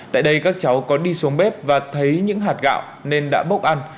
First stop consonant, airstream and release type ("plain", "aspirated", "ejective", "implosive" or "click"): plain